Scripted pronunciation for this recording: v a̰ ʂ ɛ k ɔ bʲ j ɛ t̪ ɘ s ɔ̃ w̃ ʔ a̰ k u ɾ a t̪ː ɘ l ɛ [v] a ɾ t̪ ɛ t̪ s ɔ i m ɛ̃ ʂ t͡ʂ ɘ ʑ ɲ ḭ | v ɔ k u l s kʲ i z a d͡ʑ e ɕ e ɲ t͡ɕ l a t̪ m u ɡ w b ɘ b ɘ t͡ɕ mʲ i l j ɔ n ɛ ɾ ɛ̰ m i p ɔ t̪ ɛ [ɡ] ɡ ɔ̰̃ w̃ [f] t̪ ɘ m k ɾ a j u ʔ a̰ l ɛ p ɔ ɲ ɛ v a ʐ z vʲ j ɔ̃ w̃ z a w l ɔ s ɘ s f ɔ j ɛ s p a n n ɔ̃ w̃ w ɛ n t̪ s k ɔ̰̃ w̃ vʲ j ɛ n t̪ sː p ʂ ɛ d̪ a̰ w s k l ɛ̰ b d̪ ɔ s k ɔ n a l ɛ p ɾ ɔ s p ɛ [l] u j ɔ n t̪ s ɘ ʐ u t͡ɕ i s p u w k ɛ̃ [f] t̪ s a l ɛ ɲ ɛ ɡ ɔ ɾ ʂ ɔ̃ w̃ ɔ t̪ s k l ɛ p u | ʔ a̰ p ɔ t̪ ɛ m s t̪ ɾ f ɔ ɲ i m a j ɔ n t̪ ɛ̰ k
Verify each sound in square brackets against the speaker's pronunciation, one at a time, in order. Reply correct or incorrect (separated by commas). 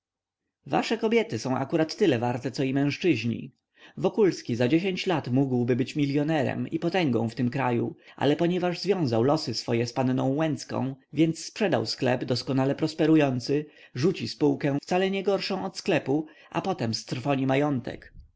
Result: correct, incorrect, correct, incorrect, correct